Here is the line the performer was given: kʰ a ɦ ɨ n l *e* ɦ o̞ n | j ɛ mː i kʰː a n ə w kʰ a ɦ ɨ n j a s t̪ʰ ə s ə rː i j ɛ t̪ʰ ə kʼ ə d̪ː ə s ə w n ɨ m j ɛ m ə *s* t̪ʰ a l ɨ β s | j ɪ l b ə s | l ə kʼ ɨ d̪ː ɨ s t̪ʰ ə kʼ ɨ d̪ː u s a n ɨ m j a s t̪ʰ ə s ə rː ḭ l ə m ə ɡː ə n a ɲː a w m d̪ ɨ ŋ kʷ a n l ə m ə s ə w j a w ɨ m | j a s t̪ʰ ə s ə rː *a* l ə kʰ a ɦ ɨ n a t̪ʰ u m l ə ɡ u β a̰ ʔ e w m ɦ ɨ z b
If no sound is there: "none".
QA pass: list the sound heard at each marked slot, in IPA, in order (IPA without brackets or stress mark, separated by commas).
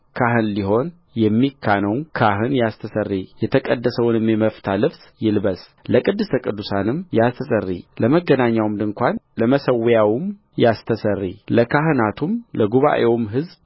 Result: i, f, i